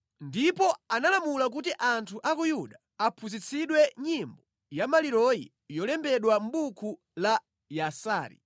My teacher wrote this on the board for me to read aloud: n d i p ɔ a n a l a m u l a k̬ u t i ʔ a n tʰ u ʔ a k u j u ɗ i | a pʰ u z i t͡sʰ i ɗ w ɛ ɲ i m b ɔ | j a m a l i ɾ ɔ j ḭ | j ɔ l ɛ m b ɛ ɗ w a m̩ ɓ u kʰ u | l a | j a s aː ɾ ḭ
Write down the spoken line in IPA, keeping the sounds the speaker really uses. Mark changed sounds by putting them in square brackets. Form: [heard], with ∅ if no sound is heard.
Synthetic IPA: n d i p ɔ a n a l a m u l a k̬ u t i ʔ a n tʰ u ʔ a k u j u ɗ [a] | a pʰ u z i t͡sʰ i ɗ w ɛ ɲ i m b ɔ | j a m a l i ɾ ɔ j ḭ | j ɔ l ɛ m b ɛ ɗ w a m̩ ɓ u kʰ u | l a | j a s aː ɾ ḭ